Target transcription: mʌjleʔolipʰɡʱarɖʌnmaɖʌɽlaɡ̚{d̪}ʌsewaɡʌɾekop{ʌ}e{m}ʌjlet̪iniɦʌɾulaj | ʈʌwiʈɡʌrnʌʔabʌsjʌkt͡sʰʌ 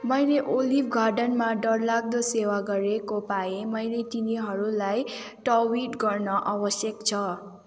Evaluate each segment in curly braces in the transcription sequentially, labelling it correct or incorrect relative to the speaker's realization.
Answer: correct, incorrect, correct

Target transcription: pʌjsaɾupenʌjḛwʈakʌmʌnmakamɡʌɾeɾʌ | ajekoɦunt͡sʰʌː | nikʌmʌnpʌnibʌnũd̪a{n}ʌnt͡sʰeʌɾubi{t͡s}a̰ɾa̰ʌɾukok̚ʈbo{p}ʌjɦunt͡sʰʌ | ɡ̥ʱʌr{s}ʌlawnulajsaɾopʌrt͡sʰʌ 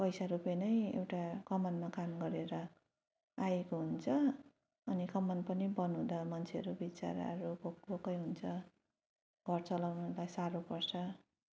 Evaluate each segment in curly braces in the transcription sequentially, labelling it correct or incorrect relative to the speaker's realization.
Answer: incorrect, correct, incorrect, incorrect

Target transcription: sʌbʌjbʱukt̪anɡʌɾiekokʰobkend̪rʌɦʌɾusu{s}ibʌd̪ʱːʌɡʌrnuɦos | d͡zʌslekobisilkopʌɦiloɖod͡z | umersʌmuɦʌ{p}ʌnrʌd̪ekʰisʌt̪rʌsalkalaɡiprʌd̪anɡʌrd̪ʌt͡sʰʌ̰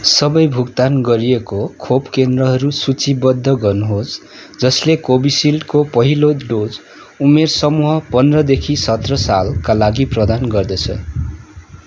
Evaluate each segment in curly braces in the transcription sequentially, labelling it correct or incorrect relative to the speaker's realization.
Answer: incorrect, correct

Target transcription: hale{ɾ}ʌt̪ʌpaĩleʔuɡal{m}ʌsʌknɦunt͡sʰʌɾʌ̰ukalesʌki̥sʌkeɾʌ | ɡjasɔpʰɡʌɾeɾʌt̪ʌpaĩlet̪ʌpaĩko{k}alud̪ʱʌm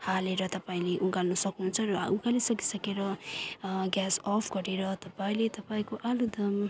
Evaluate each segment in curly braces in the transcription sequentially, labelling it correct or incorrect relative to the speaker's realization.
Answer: correct, incorrect, incorrect

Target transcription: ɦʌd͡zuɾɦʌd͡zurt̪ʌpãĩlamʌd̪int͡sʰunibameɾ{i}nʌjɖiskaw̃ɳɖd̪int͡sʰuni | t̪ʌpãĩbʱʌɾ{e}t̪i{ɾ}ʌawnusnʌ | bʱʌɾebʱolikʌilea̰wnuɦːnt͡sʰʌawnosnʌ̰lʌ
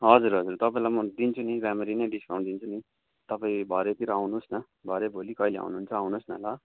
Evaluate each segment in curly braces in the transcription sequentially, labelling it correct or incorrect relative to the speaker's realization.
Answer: correct, correct, correct

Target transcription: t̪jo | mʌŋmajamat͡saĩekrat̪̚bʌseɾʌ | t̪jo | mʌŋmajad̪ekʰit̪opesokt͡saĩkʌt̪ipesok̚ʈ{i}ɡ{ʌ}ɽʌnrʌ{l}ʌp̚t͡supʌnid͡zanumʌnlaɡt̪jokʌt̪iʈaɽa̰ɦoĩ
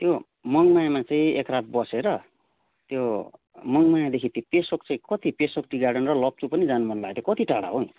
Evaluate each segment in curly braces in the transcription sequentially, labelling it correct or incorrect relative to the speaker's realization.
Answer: correct, incorrect, correct

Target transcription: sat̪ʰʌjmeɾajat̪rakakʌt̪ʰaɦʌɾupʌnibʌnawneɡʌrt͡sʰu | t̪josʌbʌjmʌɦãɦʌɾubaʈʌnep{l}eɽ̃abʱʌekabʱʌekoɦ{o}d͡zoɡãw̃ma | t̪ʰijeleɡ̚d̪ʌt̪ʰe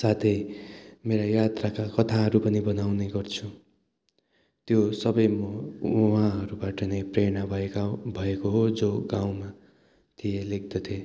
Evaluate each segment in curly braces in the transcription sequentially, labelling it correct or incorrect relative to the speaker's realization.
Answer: incorrect, correct

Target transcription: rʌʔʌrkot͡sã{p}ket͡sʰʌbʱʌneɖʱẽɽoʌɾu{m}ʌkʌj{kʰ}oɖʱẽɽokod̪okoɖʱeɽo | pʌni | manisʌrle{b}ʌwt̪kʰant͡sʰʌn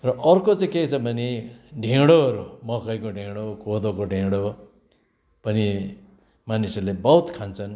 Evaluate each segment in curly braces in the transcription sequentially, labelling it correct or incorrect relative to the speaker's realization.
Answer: incorrect, correct, incorrect, correct

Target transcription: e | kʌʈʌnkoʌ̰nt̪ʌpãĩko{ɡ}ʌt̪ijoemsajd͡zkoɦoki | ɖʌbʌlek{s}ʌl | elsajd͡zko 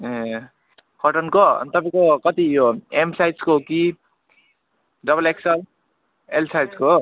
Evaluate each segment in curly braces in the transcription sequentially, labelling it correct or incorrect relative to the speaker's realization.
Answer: incorrect, correct

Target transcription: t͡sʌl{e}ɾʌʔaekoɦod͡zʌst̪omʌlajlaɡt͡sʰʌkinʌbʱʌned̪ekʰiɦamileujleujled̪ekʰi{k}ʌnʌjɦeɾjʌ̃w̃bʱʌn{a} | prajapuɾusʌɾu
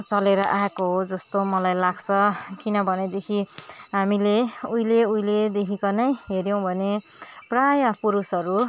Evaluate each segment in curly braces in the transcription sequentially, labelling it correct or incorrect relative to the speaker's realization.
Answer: correct, correct, incorrect

